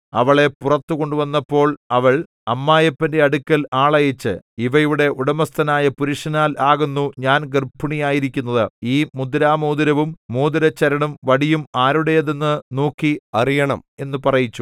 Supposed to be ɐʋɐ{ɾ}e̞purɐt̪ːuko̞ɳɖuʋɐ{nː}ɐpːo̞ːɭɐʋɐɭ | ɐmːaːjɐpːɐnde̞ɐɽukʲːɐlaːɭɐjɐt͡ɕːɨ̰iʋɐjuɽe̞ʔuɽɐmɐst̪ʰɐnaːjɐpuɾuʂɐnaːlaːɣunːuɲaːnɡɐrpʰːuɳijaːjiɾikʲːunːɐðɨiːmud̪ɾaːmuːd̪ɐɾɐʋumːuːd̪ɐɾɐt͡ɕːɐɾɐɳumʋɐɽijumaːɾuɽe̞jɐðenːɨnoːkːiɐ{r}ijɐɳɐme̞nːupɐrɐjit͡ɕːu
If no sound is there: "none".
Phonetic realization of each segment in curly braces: ɭ, nː, r

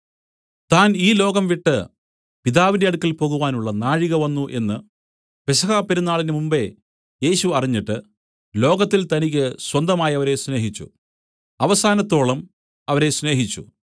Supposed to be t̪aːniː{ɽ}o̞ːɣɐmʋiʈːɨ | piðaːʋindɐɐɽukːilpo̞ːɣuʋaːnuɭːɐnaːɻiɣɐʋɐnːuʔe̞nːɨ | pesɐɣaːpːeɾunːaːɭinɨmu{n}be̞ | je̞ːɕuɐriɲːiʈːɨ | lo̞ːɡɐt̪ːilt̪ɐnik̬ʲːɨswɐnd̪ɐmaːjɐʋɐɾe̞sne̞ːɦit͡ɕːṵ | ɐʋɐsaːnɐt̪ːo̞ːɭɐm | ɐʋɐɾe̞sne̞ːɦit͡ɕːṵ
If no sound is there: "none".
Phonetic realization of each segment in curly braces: l, m

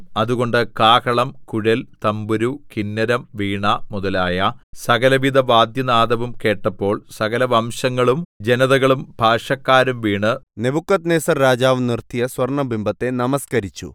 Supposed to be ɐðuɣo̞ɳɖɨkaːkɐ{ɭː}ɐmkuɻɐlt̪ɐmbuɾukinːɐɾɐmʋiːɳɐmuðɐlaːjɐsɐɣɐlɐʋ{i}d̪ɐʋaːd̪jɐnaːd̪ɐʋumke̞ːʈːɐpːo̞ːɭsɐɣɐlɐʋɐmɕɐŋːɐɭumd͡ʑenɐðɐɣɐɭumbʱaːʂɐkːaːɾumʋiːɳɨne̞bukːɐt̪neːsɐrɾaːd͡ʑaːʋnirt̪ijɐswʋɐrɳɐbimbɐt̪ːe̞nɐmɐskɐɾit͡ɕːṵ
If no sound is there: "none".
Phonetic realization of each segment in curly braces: ɭ, i

